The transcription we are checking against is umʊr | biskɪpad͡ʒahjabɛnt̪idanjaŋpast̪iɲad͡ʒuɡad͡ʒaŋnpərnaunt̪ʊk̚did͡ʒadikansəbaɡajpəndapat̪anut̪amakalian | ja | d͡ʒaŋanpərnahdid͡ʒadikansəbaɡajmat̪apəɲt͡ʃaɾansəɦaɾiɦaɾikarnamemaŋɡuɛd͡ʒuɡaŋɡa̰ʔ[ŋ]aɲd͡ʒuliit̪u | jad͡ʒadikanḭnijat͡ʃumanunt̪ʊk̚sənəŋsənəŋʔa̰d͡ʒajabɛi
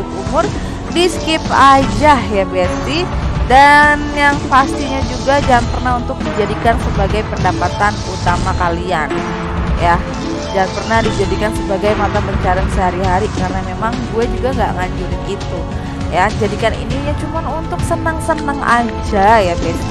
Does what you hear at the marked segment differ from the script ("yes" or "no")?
no